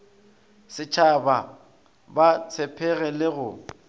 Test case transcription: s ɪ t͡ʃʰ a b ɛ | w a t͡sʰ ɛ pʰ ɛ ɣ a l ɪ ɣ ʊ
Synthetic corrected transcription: s ɪ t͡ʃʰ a b a | b a t͡sʰ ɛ pʰ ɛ ɣ ɛ l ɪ ɣ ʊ

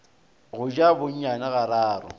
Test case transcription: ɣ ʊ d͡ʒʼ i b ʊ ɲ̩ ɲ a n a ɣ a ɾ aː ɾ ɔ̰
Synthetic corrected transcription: ɣ ʊ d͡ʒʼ a b ʊ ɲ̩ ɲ a n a ɣ a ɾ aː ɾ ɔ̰

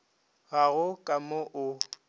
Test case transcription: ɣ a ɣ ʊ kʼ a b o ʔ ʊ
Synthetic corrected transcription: ɣ a ɣ ʊ kʼ a m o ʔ ʊ

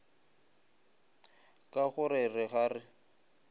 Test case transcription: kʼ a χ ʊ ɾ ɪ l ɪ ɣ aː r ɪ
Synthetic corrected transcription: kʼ a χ ʊ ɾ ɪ r ɪ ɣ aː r ɪ

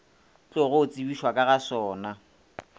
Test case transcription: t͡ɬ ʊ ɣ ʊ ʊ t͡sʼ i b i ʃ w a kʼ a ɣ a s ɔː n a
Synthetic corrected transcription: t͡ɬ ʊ ɣ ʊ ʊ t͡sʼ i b i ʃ w a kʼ a ɣ a s ɔː n a

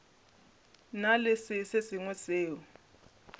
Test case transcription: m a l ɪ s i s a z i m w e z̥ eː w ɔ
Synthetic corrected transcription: n a l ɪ s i s e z i ŋ w ɛ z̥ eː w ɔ

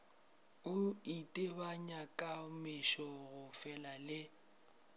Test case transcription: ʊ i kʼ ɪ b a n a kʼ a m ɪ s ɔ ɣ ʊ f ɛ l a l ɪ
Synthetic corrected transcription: ʊ i tʼ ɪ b a ɲ a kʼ a m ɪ ʃ ɔ ɣ ʊ f ɛ l a l ɪ

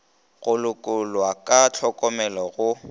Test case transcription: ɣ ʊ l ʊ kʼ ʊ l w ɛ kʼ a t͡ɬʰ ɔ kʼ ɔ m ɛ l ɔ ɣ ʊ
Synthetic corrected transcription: ɣ ʊ l ʊ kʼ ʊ l w a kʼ a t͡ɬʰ ɔ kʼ ɔ m ɛ l ɔ ɣ ʊ

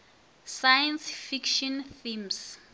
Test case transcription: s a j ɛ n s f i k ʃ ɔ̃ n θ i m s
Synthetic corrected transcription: s a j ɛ n s f i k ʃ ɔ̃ n θ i m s

